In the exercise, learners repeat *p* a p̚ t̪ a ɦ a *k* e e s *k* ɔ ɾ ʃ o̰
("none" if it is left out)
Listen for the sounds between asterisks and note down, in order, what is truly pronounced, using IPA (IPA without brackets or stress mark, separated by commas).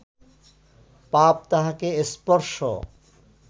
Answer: p, k, p